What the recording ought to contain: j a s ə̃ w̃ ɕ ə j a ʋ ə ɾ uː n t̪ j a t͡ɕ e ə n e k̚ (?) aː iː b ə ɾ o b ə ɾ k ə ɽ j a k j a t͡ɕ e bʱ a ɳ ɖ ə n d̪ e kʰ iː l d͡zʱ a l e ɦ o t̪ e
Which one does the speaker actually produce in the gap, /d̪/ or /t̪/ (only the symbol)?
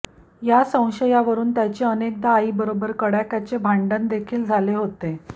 d̪